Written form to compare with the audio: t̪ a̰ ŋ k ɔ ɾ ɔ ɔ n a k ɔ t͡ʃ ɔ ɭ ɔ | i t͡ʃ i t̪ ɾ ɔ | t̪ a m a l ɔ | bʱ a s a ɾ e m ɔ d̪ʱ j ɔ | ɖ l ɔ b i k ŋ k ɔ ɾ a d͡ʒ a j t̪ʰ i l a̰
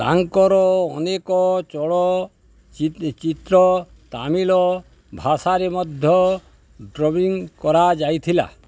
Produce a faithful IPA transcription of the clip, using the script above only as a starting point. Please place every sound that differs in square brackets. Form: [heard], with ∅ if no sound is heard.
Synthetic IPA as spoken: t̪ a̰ ŋ k ɔ ɾ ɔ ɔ n [e] k ɔ t͡ʃ ɔ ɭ ɔ | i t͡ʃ i t̪ ɾ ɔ | t̪ a m [i] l ɔ | bʱ a s a ɾ e m ɔ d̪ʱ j ɔ | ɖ [ɾ] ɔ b i [∅] ŋ k ɔ ɾ a d͡ʒ a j t̪ʰ i l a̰